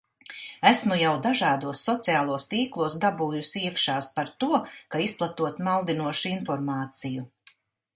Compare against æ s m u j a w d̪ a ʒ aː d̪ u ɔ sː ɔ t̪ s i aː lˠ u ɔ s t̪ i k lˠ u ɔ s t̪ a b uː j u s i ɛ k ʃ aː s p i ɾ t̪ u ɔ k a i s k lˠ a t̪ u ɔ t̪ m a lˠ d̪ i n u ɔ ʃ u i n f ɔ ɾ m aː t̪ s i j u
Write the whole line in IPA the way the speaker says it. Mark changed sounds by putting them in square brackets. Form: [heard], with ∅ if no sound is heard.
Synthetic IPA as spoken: æ s m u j a w d̪ a ʒ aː d̪ u ɔ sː ɔ t̪ s i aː lˠ u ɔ s t̪ [iː] k lˠ u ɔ s [d̪] a b uː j u s i ɛ k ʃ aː s p [a] ɾ t̪ u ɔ k a i s [p] lˠ a t̪ u ɔ t̪ m a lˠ d̪ i n u ɔ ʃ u i n f ɔ ɾ m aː t̪ s i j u